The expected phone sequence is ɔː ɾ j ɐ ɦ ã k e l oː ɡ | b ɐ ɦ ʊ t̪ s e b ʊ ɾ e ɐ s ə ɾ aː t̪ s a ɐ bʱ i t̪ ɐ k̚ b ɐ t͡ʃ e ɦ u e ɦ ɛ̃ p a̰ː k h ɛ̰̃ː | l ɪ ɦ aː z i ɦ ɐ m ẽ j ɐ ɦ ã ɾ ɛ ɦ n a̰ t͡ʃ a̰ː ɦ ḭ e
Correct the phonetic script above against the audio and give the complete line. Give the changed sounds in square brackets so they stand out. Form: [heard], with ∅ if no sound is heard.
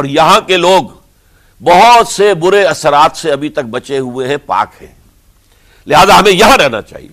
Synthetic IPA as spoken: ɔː ɾ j ɐ ɦ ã k e l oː ɡ | b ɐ ɦ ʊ t̪ s e b ʊ ɾ e ɐ s ə ɾ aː t̪ s [e] ɐ bʱ i t̪ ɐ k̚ b ɐ t͡ʃ e ɦ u e ɦ ɛ̃ p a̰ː k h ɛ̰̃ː | l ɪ ɦ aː z [a] ɦ ɐ m ẽ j ɐ ɦ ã ɾ ɛ ɦ n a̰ t͡ʃ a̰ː ɦ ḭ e